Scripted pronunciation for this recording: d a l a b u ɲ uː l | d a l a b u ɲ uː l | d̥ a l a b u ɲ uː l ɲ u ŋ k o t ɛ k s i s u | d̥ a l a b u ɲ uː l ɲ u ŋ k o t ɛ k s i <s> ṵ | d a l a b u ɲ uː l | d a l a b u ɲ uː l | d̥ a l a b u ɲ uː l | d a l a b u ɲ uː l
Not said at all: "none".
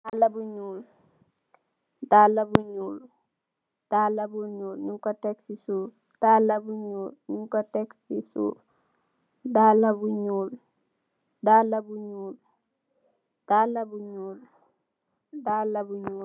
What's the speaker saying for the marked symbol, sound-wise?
s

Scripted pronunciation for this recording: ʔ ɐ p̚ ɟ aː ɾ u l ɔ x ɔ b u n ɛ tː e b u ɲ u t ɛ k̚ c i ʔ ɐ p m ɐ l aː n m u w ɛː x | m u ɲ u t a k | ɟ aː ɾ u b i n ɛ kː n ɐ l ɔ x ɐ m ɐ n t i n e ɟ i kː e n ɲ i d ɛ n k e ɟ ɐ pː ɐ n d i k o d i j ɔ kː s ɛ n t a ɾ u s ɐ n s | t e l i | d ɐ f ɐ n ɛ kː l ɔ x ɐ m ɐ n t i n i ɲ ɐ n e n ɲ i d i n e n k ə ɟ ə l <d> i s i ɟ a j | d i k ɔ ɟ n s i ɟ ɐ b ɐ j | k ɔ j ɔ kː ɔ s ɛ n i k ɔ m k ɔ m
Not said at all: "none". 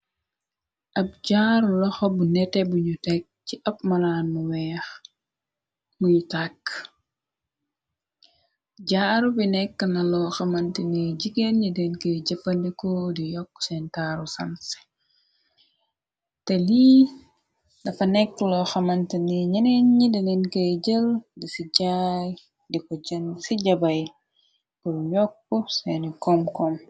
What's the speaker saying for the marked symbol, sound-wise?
d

